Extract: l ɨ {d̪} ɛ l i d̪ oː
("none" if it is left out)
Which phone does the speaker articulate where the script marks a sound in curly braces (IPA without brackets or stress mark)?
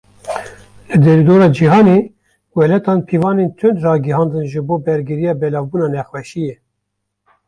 d̪